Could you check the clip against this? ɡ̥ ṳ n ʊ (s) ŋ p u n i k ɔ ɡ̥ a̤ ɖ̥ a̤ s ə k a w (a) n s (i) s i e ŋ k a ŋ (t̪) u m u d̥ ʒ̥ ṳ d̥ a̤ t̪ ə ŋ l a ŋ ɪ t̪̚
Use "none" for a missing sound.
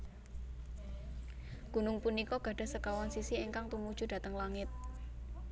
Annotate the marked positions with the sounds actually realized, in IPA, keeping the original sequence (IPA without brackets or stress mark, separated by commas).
none, a, i, t̪